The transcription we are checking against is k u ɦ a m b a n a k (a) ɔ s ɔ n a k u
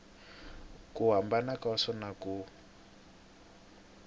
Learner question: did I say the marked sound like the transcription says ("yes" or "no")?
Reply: yes